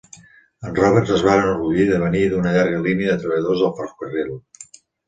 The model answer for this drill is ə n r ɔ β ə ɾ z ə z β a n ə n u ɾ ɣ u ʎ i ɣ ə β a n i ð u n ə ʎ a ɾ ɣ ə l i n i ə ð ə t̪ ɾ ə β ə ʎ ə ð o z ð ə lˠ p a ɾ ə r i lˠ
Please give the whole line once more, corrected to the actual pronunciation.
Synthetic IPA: ə n r ɔ β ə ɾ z ə z β a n ə n u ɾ ɣ u ʎ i ð ə β ə n i ð u n ə ʎ a ɾ ɣ ə l i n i ə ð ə t̪ ɾ ə β ə ʎ ə ð o z ð ə lˠ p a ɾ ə r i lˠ